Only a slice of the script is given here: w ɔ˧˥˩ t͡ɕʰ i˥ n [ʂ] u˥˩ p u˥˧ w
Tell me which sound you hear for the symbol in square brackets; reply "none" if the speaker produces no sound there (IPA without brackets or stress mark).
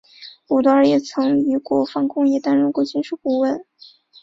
ʂ